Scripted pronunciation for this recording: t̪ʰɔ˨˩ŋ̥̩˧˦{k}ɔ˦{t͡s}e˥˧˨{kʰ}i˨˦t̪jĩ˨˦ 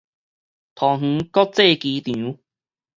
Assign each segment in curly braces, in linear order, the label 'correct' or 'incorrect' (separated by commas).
correct, correct, incorrect